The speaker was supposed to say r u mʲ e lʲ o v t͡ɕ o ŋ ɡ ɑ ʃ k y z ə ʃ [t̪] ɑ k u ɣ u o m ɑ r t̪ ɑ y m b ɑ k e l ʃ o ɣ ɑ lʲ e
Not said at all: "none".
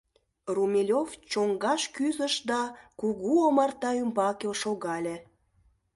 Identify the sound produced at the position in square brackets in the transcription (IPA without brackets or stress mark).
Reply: d̪